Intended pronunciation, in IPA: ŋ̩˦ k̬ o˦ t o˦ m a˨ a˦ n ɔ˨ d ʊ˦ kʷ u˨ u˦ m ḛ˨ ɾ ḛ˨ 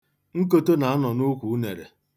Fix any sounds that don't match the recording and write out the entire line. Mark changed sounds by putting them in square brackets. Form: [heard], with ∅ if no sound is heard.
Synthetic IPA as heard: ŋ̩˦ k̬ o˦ t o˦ [n] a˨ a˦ n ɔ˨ [n] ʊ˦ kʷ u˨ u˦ [n] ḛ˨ ɾ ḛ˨

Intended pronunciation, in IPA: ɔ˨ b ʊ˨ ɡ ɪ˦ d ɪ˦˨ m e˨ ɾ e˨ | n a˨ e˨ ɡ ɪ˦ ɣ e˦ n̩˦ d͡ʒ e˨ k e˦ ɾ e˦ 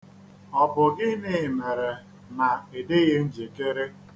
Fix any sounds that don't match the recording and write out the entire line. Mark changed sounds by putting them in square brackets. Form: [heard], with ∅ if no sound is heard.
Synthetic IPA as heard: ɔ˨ b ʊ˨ ɡ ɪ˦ [n] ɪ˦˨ m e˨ ɾ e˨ | n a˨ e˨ [d] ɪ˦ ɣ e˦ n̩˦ d͡ʒ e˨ k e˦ ɾ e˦

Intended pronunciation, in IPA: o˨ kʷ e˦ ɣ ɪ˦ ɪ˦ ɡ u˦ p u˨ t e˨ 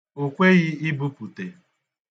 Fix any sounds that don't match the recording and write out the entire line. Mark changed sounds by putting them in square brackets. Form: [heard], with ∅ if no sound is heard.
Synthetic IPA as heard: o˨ kʷ e˦ ɣ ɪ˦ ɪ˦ [b] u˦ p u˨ t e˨

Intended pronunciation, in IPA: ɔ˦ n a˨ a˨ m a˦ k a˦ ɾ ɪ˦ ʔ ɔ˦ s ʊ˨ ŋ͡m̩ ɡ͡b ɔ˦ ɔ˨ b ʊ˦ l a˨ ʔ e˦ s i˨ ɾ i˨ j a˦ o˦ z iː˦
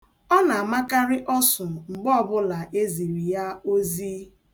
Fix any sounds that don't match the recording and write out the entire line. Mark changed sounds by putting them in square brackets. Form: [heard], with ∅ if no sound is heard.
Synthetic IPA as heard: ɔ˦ n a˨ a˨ m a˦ k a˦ ɾ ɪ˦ ʔ ɔ˦ s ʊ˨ ŋ͡m̩ ɡ͡b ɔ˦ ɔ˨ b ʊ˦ l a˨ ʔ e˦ [z] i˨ ɾ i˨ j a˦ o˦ z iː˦

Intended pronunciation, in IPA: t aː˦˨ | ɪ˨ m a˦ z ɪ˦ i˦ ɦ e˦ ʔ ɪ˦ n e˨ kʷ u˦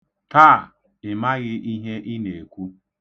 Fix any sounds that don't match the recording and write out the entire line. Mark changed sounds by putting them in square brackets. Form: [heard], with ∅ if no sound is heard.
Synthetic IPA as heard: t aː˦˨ | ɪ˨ m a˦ [ɣ] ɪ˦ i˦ ɦ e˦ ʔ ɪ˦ n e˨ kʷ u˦

